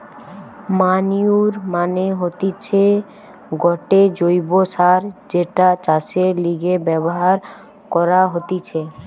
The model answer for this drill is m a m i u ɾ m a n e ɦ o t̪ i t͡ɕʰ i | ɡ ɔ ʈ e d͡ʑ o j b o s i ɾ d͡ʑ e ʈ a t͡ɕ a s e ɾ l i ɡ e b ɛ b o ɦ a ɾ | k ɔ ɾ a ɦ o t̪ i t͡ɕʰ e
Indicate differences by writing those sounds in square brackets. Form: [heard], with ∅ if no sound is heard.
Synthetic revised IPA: m a [n] i u ɾ m a n e ɦ o t̪ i t͡ɕʰ [e] | ɡ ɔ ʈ e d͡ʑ o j b o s [a] ɾ d͡ʑ e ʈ a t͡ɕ a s e ɾ l i ɡ e b ɛ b o ɦ a ɾ | k ɔ ɾ a ɦ o t̪ i t͡ɕʰ e